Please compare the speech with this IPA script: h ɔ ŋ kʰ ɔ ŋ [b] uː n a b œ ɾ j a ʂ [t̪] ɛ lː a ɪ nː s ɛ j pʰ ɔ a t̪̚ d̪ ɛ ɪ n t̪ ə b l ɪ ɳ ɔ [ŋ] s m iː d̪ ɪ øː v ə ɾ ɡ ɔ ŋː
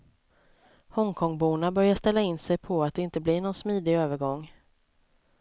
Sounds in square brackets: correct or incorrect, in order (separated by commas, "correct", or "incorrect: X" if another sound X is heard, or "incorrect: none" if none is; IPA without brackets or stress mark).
correct, correct, incorrect: n